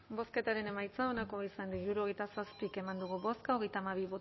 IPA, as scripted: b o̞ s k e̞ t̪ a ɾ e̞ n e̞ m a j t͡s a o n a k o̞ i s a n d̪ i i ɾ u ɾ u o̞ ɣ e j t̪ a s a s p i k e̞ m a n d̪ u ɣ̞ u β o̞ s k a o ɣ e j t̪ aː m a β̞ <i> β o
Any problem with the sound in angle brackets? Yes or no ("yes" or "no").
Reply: no